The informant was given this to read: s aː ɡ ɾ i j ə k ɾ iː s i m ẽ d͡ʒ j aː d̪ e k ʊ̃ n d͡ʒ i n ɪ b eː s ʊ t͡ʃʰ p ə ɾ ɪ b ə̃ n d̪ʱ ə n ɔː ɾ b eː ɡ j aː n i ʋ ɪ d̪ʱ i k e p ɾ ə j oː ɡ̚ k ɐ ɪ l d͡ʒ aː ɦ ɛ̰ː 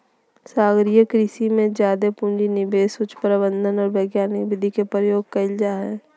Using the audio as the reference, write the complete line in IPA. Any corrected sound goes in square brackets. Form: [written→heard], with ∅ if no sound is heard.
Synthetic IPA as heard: s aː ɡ ɾ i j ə k ɾ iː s i m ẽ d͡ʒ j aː d̪ e [k→p] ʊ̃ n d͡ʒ i n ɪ b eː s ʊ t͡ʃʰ p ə ɾ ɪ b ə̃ n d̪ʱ ə n ɔː ɾ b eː ɡ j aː n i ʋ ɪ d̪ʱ i k e p ɾ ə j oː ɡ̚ k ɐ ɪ l d͡ʒ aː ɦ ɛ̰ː